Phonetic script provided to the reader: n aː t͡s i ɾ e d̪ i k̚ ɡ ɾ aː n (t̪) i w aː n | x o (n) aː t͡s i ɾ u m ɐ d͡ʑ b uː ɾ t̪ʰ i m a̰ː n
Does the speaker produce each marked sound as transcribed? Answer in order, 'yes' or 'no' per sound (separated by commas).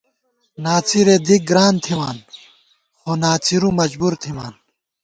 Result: no, yes